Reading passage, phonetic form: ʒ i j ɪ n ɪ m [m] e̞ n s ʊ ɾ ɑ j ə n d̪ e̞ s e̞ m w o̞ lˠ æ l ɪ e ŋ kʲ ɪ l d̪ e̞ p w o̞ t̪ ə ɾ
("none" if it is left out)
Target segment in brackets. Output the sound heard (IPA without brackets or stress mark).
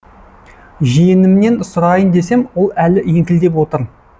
n